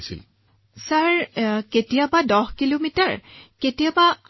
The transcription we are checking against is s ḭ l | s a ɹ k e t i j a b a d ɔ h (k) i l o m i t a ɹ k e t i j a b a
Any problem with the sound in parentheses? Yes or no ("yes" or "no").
no